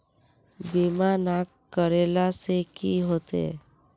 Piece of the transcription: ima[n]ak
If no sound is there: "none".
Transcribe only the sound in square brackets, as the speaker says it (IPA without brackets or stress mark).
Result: n